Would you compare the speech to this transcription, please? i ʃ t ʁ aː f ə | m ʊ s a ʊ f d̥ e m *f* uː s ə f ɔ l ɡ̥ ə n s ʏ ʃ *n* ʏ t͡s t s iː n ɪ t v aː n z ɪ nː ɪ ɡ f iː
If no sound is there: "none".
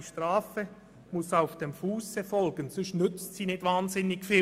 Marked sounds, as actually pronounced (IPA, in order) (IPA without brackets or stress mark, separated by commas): f, n